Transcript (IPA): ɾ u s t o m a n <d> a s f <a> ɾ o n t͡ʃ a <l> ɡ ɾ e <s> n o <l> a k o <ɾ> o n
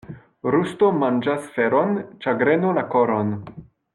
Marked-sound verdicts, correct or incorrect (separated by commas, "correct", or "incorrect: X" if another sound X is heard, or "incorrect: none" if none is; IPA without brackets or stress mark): incorrect: d͡ʒ, incorrect: e, incorrect: none, incorrect: none, correct, correct